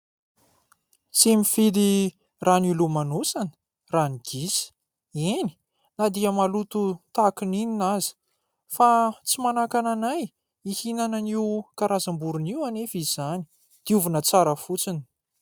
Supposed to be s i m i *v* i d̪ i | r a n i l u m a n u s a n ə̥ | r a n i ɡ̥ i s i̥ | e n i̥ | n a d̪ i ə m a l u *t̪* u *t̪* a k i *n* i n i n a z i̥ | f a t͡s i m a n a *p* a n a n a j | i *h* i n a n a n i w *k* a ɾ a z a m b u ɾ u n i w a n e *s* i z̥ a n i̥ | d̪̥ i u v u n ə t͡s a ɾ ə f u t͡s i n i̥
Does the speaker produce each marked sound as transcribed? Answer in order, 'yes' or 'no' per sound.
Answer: no, yes, yes, yes, no, yes, yes, no

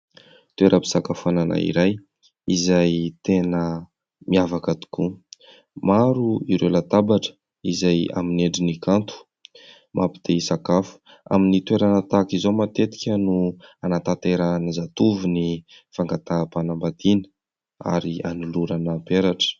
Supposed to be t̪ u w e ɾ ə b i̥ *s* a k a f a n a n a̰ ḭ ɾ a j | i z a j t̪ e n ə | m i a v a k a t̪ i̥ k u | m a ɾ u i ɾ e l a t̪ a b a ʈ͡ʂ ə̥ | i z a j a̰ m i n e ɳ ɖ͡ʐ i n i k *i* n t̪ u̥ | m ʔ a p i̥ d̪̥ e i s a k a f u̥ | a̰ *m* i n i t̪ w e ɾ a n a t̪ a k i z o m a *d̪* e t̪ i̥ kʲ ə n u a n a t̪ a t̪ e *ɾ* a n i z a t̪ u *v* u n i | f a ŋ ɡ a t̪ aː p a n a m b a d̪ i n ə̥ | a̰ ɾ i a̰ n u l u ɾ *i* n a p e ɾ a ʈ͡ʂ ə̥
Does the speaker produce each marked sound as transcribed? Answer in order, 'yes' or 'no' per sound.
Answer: yes, no, yes, no, yes, yes, no

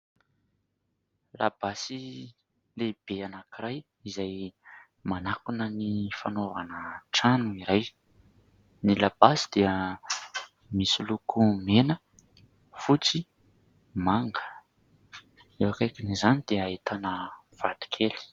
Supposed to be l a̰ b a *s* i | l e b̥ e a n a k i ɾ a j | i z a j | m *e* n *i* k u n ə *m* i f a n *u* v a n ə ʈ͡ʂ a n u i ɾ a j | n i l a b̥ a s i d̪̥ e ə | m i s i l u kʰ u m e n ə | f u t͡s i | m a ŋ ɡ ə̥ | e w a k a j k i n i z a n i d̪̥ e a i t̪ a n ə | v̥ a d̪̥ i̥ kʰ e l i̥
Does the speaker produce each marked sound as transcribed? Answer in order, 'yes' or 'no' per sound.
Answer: yes, no, no, no, no

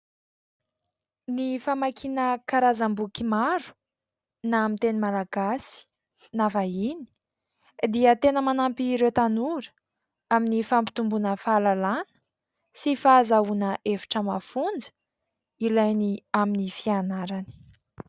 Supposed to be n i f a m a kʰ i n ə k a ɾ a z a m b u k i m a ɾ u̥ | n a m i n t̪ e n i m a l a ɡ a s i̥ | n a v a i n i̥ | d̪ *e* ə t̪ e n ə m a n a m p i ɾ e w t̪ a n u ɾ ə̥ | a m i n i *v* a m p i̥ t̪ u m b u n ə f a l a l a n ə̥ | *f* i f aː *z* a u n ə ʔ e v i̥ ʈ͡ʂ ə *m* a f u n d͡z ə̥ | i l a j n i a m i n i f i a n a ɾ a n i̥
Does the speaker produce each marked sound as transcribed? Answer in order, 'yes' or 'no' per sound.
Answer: no, no, no, yes, yes

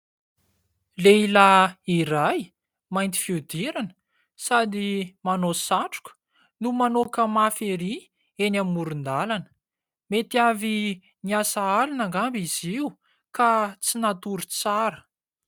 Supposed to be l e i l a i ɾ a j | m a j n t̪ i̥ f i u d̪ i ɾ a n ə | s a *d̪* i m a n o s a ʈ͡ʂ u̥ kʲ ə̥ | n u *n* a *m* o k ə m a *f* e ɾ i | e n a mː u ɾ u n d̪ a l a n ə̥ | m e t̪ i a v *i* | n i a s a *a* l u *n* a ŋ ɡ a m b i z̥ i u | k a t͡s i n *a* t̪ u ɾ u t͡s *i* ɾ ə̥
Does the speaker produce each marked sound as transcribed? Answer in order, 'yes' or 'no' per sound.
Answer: yes, no, no, yes, yes, yes, yes, yes, no

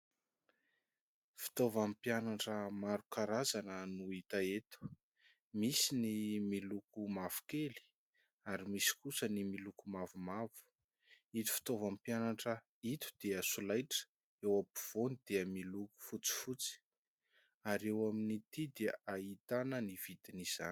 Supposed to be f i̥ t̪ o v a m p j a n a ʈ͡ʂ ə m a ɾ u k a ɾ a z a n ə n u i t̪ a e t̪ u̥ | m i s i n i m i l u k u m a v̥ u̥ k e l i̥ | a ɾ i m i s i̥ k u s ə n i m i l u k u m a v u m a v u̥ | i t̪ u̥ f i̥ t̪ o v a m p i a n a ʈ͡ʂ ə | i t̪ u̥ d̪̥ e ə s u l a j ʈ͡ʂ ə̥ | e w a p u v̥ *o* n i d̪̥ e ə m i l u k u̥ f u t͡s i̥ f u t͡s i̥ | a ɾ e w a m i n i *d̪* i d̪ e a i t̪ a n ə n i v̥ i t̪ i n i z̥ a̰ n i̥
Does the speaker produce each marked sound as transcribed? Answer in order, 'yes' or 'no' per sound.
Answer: yes, no

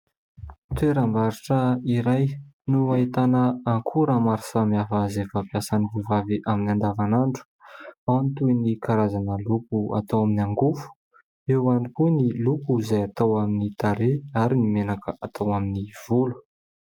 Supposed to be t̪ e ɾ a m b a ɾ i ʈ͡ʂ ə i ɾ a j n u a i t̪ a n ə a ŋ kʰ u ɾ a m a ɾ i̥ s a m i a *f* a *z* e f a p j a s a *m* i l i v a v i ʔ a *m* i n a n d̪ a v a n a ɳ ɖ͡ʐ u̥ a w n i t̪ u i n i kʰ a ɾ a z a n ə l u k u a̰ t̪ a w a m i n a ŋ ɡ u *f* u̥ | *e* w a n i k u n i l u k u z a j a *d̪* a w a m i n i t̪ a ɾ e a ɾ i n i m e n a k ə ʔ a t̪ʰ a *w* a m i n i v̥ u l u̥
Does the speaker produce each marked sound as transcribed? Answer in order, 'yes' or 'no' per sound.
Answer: yes, yes, no, yes, yes, yes, no, yes

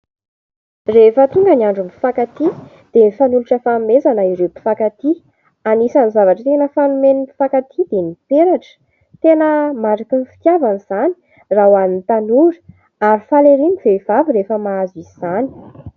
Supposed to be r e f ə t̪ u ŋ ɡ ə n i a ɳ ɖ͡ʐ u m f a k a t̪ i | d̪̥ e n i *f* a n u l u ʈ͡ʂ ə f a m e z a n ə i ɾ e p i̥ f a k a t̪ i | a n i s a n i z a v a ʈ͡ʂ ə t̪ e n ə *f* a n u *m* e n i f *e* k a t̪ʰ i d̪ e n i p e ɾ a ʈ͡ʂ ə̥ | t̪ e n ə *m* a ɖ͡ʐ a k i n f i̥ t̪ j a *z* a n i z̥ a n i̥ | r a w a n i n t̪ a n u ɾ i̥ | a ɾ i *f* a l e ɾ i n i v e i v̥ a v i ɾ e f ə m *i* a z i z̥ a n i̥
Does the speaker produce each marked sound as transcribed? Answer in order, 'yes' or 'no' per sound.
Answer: yes, yes, yes, no, yes, no, yes, no

